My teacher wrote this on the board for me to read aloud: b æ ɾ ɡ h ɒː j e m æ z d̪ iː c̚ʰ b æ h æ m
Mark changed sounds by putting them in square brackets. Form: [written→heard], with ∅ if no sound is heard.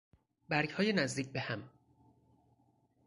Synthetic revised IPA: b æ ɾ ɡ h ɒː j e [m→n] æ z d̪ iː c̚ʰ b [æ→e] h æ m

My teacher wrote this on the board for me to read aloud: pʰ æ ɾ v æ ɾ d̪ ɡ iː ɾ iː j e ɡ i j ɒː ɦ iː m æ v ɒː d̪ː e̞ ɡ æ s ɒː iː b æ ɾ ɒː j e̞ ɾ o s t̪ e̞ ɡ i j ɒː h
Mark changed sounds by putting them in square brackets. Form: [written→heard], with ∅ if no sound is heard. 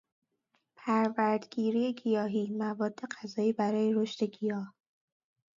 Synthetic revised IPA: pʰ æ ɾ v æ ɾ d̪ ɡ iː ɾ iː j e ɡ i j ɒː ɦ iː m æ v ɒː d̪ː e̞ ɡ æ [s→z] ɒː iː b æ ɾ ɒː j e̞ ɾ o [s→ʃ] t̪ e̞ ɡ i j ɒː h

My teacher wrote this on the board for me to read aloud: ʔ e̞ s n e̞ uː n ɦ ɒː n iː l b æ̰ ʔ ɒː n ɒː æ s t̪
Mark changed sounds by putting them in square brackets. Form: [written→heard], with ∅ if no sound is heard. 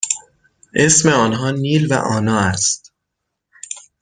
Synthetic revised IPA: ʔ e̞ s [n→m] e̞ [uː→ɒː] n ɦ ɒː n iː l [b→v] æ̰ ʔ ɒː n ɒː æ s t̪

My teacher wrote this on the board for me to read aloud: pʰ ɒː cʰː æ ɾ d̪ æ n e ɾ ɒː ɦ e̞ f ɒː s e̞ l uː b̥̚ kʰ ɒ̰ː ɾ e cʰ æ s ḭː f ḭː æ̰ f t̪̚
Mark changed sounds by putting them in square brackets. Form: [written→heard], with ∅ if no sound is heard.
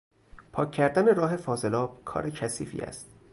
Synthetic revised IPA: pʰ ɒː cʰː æ ɾ d̪ æ n e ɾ ɒː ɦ e̞ f ɒː [s→z] e̞ l [uː→ɒː] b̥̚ kʰ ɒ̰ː ɾ e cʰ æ s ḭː f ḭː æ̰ [f→s] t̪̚

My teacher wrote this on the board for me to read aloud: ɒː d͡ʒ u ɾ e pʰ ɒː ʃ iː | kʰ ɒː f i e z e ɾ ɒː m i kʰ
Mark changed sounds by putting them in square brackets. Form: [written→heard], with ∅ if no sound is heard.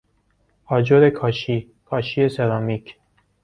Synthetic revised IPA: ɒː d͡ʒ [u→o] ɾ e [pʰ→kʰ] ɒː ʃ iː | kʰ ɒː [f→ʃ] i e [z→s] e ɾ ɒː m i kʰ

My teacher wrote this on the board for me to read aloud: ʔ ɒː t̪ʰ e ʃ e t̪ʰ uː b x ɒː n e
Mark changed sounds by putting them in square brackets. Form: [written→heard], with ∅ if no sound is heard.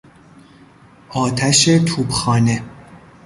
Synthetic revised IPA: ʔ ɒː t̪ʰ [e→æ] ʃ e t̪ʰ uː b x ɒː n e

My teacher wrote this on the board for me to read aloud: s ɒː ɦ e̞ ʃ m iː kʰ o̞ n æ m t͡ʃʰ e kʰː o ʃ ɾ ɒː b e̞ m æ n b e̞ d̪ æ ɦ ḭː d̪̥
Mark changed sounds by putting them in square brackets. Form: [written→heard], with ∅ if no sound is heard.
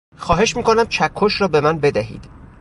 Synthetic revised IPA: [s→x] ɒː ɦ e̞ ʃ m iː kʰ o̞ n æ m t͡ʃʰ [e→æ] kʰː o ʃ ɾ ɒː b e̞ m æ n b e̞ d̪ æ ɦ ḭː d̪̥

